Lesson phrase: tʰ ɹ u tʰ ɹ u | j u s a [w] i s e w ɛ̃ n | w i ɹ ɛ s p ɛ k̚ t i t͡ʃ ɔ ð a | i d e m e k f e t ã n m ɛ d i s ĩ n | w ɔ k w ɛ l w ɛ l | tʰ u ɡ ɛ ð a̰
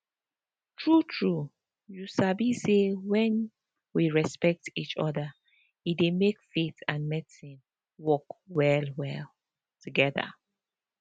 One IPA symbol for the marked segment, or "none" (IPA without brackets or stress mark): b